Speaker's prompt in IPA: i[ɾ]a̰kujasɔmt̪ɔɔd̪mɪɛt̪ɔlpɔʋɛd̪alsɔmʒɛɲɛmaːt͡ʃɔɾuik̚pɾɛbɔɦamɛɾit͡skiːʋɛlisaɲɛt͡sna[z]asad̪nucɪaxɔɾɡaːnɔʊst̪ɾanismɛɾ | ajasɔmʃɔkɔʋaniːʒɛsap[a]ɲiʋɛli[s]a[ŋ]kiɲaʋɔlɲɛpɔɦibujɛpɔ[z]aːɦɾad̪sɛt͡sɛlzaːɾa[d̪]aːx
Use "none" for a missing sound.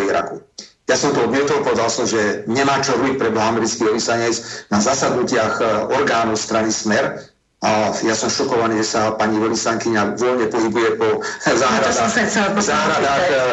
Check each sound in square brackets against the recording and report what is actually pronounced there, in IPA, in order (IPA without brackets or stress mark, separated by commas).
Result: ɾ, z, a, s, ŋ, z, d̪